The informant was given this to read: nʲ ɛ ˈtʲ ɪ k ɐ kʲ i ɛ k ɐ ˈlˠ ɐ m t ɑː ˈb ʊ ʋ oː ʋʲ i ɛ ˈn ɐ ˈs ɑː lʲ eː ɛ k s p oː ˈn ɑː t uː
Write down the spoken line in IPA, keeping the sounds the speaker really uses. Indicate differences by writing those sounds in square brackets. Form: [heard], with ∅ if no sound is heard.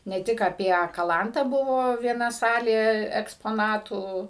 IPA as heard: nʲ ɛ ˈtʲ ɪ k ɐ [pʲ] i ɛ k ɐ ˈlˠ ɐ [n] t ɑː ˈb ʊ ʋ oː ʋʲ i ɛ ˈn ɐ ˈs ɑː lʲ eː ɛ k s p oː ˈn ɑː t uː